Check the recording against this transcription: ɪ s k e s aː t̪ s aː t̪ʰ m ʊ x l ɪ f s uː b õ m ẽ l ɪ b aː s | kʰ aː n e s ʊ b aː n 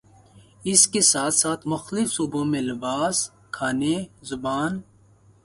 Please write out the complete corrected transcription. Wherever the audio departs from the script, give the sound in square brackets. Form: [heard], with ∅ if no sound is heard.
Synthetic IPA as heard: ɪ s k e s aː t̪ s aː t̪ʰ m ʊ x l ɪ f s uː b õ m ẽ l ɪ b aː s | kʰ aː n e [z] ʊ b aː n

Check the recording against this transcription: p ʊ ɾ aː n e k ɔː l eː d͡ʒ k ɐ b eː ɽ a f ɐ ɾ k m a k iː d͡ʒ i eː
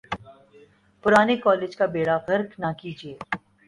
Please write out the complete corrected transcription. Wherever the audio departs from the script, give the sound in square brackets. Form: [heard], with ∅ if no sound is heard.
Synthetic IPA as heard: p ʊ ɾ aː n e k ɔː l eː d͡ʒ k [a] b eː ɽ a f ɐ ɾ k [n] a k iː d͡ʒ i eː

